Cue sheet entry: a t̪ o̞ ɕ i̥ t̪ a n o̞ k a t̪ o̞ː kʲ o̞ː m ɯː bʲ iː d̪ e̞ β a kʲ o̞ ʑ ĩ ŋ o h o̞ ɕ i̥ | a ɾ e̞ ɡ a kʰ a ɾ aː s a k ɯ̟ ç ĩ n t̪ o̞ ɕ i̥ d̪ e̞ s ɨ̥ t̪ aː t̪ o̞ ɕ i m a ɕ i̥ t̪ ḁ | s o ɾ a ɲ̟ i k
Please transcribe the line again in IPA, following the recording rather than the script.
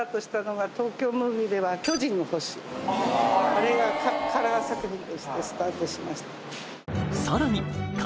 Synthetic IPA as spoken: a t̪ o̞ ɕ i̥ t̪ a n o̞ ɡ a t̪ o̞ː kʲ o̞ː m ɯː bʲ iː d̪ e̞ β a kʲ o̞ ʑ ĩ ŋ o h o̞ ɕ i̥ | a ɾ e̞ ɡ a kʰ a ɾ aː s a k ɯ̟ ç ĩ n t̪ o̞ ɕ i̥ t̪ e̞ s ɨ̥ t̪ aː t̪ o̞ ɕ i m a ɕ i̥ t̪ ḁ | s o ɾ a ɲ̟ i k